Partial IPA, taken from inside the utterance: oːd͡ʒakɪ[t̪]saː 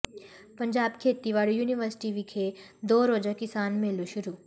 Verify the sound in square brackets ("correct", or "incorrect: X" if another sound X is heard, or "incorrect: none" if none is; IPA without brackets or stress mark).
incorrect: none